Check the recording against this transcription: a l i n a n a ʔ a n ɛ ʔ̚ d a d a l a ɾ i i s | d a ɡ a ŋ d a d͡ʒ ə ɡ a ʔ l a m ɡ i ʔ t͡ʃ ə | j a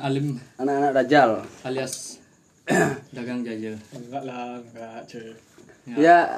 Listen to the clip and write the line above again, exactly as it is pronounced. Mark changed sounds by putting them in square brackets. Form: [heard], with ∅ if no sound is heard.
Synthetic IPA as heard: a l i [m] a n a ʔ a n [a] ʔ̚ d a [d͡ʒ] a l a [l] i [a] s | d a ɡ a ŋ [d͡ʒ] a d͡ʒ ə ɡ a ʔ l a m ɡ [a] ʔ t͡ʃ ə | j a